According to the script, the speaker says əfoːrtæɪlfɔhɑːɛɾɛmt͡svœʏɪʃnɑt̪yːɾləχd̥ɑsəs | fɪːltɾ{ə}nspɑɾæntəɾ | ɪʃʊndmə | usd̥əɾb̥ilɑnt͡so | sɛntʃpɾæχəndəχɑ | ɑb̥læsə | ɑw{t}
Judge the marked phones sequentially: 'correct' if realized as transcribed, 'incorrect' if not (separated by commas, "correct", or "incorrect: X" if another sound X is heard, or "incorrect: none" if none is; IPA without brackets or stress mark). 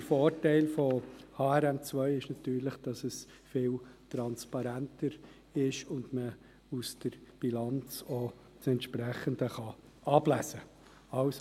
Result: incorrect: ɑ, incorrect: s